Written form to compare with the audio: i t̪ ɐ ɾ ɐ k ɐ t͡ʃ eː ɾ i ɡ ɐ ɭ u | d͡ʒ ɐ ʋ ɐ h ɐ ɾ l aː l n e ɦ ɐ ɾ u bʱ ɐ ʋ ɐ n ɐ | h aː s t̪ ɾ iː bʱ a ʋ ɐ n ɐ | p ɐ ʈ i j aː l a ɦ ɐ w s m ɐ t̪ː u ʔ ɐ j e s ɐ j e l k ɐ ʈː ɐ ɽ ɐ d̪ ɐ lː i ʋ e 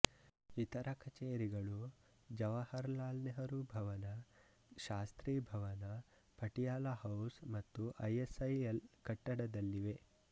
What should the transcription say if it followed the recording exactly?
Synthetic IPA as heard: i t̪ ɐ ɾ ɐ k ɐ t͡ʃ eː ɾ i ɡ ɐ ɭ u | d͡ʒ ɐ ʋ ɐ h ɐ ɾ l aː l n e ɦ ɐ ɾ u bʱ ɐ ʋ ɐ n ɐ | ʃ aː s t̪ ɾ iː bʱ ɐ ʋ ɐ n ɐ | p ɐ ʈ i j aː l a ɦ ɐ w s m ɐ t̪ː u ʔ ɐ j e s ɐ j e l k ɐ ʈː ɐ ɽ ɐ d̪ ɐ lː i ʋ e